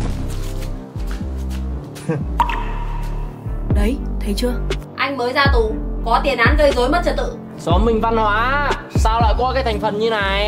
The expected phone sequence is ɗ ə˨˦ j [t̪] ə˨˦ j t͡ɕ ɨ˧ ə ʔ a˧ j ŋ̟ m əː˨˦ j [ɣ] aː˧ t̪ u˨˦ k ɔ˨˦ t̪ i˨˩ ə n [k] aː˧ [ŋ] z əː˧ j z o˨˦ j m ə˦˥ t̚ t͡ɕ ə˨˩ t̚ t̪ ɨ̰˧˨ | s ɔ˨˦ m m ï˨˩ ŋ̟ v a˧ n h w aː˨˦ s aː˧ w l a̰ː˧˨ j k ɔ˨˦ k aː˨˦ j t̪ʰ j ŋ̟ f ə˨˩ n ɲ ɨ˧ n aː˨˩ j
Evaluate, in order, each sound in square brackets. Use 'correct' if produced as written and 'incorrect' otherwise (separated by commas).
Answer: incorrect, incorrect, incorrect, incorrect